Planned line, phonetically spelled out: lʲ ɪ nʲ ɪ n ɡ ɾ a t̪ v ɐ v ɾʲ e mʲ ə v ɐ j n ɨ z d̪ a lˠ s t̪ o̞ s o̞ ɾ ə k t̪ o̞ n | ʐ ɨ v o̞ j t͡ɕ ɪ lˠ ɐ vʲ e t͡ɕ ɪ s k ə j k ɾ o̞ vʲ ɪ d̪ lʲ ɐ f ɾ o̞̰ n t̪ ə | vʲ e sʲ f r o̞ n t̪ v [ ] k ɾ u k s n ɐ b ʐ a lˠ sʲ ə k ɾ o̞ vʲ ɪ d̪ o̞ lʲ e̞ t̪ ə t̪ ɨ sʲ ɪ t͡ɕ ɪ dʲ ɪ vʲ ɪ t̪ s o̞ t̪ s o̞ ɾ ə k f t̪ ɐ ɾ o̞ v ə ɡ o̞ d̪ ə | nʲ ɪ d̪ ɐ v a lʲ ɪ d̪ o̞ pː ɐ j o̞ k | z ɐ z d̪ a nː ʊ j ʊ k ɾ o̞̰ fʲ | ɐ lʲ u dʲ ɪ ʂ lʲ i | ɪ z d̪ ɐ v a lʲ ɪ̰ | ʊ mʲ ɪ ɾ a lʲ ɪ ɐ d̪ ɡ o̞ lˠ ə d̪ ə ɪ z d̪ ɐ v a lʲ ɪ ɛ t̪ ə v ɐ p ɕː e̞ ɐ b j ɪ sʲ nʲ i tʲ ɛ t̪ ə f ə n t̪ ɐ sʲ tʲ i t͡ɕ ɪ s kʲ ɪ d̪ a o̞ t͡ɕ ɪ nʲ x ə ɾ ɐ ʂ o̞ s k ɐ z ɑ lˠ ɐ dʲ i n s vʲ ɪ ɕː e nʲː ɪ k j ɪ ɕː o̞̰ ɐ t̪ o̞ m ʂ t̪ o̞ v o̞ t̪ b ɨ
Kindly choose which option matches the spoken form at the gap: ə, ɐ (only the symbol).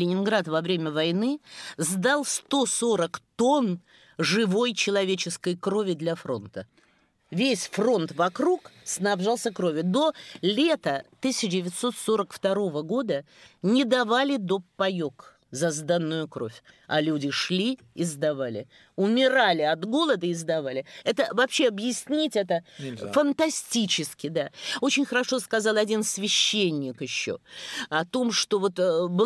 ɐ